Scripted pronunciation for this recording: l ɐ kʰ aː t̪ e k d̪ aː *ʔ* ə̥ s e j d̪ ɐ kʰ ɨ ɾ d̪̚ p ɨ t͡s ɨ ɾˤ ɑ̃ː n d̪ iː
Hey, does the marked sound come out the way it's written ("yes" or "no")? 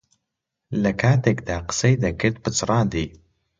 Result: no